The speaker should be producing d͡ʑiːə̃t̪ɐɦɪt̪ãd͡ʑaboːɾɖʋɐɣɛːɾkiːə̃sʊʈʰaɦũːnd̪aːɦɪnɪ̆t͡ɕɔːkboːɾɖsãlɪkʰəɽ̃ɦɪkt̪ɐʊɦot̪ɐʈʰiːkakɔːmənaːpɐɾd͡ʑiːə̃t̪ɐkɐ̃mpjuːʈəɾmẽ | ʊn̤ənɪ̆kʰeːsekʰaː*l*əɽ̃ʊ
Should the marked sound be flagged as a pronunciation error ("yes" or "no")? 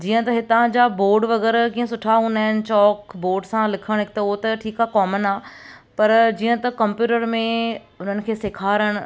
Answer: yes